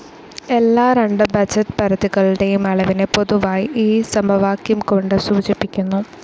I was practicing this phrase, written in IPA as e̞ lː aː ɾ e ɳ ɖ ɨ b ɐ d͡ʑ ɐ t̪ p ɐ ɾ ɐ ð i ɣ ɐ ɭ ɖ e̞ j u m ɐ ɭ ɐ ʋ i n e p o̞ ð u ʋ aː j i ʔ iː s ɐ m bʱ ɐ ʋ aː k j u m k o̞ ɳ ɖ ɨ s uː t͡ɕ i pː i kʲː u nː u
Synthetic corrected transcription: e̞ lː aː ɾ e ɳ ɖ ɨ b ɐ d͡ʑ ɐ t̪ p ɐ ɾ ɐ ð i ɣ ɐ ɭ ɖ e̞ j u m ɐ ɭ ɐ ʋ i n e p o̞ ð u ʋ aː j i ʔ iː s ɐ m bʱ ɐ ʋ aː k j u m k o̞ ɳ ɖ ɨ s uː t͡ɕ i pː i kʲː u nː u